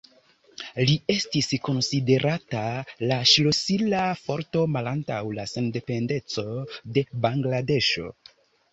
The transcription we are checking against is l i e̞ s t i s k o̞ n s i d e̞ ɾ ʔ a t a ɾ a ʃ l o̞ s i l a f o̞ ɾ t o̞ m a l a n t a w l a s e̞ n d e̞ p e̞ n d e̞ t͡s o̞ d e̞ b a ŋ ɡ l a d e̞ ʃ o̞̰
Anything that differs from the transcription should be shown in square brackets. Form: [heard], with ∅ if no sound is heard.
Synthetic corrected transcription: l i e̞ s t i s k o̞ n s i d e̞ ɾ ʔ a t a [l] a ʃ l o̞ s i l a f o̞ ɾ t o̞ m a l a n t a w l a s e̞ n d e̞ p e̞ n d e̞ t͡s o̞ d e̞ b a ŋ ɡ l a d e̞ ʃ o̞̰